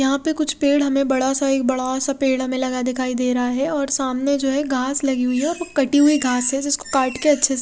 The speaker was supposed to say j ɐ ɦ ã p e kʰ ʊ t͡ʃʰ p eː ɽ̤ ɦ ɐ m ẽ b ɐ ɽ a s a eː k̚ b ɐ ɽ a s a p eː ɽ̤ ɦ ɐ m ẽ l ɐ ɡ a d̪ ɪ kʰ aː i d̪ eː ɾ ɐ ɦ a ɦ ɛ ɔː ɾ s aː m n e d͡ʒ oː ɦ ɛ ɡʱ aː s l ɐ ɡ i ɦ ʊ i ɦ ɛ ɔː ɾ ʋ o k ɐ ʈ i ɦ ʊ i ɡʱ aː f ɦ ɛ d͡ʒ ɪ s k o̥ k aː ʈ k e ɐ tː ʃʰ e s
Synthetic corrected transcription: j ɐ ɦ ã p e k ʊ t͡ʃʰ p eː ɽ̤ ɦ ɐ m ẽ b ɐ ɽ a s a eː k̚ b ɐ ɽ a s a p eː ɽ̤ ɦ ɐ m ẽ l ɐ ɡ a d̪ ɪ kʰ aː i d̪ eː ɾ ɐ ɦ a ɦ ɛ ɔː ɾ s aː m n e d͡ʒ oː ɦ ɛ ɡʱ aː s l ɐ ɡ i ɦ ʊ i ɦ ɛ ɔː ɾ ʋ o k ɐ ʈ i ɦ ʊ i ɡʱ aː s ɦ ɛ d͡ʒ ɪ s k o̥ k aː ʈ k e ɐ tː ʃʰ e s

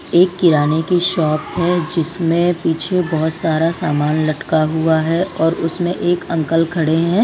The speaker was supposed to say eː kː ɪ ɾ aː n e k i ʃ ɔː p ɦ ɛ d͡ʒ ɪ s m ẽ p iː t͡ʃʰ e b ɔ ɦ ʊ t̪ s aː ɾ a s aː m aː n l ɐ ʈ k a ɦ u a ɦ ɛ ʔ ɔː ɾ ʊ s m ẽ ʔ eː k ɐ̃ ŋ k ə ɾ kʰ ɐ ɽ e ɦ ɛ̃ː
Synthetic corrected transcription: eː kː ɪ ɾ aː n e k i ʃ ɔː p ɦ ɛ d͡ʒ ɪ s m ẽ p iː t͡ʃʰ e b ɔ ɦ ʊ t̪ s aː ɾ a s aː m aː n l ɐ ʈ k a ɦ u a ɦ ɛ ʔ ɔː ɾ ʊ s m ẽ ʔ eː k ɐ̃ ŋ k ə l kʰ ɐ ɽ e ɦ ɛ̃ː

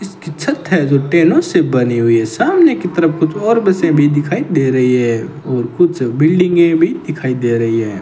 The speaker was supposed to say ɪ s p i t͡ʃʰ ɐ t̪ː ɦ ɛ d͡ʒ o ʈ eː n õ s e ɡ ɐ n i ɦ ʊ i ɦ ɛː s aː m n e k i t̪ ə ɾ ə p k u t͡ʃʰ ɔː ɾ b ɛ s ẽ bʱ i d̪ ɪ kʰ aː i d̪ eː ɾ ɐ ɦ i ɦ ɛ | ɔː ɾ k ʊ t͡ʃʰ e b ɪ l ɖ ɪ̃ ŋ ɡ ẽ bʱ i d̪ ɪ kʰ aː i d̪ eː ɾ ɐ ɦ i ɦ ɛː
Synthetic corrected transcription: ɪ s k i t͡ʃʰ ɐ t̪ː ɦ ɛ d͡ʒ o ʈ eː n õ s e b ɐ n i ɦ ʊ i ɦ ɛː s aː m n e k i t̪ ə ɾ ə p k ʊ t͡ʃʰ ɔː ɾ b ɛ s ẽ bʱ i d̪ ɪ kʰ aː i d̪ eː ɾ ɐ ɦ i ɦ ɛ | ɔː ɾ k ʊ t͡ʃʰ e b ɪ l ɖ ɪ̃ ŋ ɡ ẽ bʱ i d̪ ɪ kʰ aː i d̪ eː ɾ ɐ ɦ i ɦ ɛː

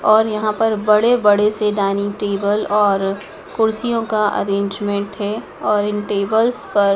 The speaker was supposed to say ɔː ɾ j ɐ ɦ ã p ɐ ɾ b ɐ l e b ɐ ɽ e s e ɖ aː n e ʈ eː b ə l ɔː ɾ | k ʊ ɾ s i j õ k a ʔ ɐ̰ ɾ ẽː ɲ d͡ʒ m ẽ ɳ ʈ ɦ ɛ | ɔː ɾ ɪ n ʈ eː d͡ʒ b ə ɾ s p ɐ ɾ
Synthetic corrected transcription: ɔː ɾ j ɐ ɦ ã p ɐ ɾ b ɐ ɽ e b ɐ ɽ e s e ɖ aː n i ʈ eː b ə l ɔː ɾ | k ʊ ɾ s i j õ k a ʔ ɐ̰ ɾ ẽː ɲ d͡ʒ m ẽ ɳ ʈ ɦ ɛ | ɔː ɾ ɪ n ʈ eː b ə l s p ɐ ɾ

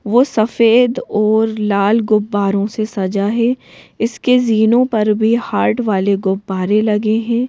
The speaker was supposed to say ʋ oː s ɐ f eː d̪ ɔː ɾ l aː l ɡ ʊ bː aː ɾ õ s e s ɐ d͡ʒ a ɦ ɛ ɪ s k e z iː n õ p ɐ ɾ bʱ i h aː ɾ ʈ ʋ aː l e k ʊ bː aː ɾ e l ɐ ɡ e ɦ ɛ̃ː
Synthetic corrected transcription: ʋ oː s ɐ f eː d̪ ɔː ɾ l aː l ɡ ʊ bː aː ɾ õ s e s ɐ d͡ʒ a ɦ ɛ ɪ s k e z iː n õ p ɐ ɾ bʱ i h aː ɾ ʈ ʋ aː l e ɡ ʊ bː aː ɾ e l ɐ ɡ e ɦ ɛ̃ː

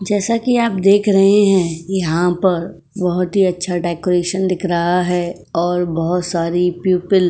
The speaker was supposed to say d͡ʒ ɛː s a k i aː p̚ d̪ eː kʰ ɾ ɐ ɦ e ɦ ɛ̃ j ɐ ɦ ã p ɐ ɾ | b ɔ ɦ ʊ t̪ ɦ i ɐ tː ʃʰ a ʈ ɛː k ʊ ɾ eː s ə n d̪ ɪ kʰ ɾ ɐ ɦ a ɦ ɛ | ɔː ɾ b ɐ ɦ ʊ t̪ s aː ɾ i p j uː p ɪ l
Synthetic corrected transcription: d͡ʒ ɛː s a k i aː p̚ d̪ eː kʰ ɾ ɐ ɦ e ɦ ɛ̃ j ɐ ɦ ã p ɐ ɾ | b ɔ ɦ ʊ t̪ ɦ i ɐ tː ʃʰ a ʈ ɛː k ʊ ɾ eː ʃ ə n d̪ ɪ kʰ ɾ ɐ ɦ a ɦ ɛ | ɔː ɾ b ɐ ɦ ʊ t̪ s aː ɾ i p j uː p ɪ l

